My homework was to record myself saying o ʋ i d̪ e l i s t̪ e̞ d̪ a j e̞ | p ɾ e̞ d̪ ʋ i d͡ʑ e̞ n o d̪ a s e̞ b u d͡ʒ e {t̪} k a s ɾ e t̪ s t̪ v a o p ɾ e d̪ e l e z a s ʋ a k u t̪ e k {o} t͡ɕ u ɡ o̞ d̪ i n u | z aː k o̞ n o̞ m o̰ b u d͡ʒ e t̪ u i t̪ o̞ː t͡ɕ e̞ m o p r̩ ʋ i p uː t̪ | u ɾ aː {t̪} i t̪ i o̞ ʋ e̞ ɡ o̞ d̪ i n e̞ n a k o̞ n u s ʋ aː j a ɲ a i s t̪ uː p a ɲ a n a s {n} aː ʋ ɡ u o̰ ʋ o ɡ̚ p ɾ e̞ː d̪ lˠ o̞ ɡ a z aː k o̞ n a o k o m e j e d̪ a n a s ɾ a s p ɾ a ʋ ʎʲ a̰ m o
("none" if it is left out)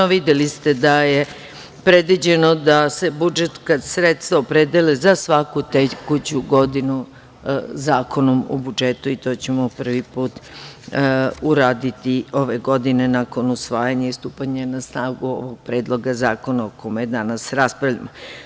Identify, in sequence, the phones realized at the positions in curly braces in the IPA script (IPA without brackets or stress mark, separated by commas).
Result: t̪, u, d̪, n